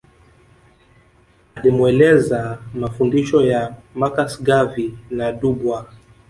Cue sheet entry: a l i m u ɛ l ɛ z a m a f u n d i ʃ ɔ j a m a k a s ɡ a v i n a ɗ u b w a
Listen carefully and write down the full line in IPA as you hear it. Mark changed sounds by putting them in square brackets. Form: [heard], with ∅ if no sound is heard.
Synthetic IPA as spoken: a l i m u ɛ l ɛ z a m a f u n d i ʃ ɔ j a m a k a s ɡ a v i n a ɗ u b w a